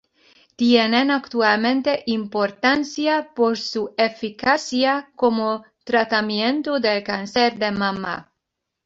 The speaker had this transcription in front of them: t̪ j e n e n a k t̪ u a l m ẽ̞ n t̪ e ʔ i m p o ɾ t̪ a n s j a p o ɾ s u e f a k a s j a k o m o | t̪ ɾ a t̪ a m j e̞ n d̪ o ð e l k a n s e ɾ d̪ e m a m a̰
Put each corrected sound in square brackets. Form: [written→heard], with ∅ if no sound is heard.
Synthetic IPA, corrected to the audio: t̪ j e n e n a k t̪ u a l m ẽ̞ n t̪ e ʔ i m p o ɾ t̪ a n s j a p o ɾ s u e f [a→i] k a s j a k o m o | t̪ ɾ a t̪ a m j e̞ n [d̪→t̪] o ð e l k a n s e ɾ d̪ e m a m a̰